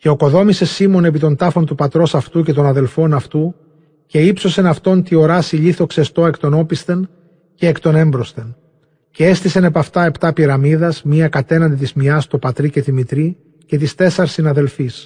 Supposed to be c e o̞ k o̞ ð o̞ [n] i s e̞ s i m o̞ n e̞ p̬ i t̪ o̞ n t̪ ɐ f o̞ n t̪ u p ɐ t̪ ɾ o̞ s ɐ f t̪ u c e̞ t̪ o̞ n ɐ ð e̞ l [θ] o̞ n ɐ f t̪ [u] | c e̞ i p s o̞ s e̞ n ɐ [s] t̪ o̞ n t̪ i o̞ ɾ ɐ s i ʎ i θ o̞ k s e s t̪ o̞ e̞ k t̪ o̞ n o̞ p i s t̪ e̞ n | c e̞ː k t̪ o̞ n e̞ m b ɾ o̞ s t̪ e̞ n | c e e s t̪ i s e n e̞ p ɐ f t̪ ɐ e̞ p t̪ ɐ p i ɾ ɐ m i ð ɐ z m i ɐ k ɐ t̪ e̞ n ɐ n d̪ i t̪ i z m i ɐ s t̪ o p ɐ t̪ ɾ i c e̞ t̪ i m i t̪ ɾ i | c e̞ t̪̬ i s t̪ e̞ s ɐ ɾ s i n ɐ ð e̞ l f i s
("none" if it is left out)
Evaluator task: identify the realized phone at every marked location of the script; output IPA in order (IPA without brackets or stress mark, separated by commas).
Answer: m, f, u, f